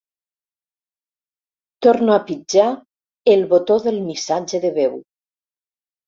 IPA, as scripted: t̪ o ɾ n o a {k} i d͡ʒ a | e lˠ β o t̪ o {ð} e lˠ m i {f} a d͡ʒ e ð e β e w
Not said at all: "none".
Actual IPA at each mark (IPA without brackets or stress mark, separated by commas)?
p, ð, s